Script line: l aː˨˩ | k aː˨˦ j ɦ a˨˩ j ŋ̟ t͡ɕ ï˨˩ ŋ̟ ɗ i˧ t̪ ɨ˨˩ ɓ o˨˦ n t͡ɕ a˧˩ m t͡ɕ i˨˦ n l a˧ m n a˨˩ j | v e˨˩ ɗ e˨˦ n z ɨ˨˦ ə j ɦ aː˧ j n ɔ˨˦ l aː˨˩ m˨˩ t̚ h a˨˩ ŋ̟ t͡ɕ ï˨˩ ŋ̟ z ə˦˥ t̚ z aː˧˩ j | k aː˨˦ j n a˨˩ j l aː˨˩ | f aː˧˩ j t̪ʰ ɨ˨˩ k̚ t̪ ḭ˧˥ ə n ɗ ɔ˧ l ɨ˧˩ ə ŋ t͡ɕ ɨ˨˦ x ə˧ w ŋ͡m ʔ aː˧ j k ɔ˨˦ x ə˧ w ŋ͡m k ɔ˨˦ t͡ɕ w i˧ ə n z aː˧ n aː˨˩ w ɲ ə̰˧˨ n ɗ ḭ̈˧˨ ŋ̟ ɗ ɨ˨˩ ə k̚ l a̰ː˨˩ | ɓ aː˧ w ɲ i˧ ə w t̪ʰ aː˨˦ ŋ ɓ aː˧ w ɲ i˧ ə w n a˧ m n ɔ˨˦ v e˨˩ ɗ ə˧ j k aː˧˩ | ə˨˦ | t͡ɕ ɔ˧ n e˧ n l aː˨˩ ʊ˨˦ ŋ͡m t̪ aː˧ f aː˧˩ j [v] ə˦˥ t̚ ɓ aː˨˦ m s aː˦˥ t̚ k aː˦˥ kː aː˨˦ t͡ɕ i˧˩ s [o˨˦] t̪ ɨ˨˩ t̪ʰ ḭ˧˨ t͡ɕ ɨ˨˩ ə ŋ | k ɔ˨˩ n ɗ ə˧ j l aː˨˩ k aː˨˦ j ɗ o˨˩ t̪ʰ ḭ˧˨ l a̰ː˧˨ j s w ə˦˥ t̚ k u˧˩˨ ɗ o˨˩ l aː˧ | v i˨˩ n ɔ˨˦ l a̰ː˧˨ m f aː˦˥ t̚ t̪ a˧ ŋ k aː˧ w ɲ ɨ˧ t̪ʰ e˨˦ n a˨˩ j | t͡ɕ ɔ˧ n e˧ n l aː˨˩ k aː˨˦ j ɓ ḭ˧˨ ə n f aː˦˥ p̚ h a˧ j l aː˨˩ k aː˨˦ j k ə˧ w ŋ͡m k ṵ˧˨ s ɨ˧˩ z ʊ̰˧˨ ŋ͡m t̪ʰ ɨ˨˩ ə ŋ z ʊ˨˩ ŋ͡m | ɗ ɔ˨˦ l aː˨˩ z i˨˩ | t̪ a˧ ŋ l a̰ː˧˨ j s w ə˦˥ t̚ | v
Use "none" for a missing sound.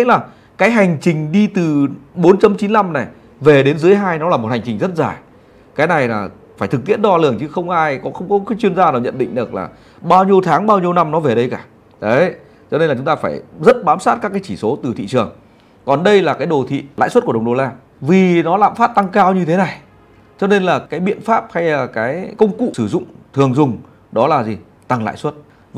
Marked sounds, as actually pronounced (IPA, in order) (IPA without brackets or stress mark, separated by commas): z, o˨˦